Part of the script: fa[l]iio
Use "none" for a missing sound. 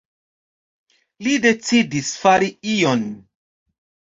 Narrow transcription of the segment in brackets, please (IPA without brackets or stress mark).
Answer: ɾ